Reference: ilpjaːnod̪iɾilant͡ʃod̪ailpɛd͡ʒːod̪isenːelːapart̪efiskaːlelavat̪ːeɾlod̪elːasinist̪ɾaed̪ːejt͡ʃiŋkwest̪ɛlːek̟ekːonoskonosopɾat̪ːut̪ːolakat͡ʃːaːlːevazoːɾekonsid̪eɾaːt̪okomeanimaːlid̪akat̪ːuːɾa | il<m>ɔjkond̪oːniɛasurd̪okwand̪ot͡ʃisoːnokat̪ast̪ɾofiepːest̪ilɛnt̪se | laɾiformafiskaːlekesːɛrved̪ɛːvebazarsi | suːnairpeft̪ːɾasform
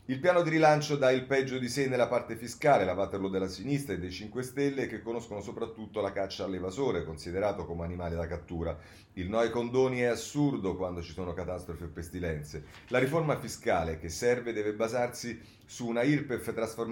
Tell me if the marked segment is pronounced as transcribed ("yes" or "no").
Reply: no